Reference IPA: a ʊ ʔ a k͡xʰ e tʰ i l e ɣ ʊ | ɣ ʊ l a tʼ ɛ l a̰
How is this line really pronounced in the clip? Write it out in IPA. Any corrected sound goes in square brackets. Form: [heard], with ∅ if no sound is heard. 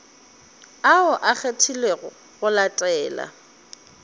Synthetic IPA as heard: a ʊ ʔ a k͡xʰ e tʰ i l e ɣ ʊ | ɣ ʊ l a tʼ [ɛː] l a̰